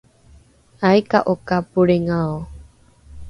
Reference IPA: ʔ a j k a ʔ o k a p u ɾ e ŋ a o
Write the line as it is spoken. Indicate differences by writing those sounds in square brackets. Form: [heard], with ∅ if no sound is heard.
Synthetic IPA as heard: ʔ a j k a ʔ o k a p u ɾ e ŋ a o